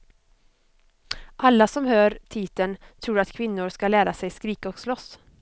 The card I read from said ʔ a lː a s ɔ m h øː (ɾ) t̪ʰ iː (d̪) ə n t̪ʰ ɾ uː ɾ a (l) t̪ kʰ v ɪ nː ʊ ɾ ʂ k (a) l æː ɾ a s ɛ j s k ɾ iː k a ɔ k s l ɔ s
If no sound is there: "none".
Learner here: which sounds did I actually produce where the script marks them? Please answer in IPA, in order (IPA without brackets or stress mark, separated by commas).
ɾ, t̪, none, a